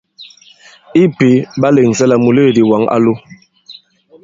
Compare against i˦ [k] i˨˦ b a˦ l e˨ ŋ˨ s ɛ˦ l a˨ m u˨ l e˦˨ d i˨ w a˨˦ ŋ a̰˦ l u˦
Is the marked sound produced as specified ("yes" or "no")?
no